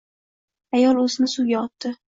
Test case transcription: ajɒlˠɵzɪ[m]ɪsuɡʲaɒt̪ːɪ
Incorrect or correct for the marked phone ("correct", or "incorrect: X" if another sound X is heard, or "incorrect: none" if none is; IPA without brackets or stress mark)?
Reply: incorrect: n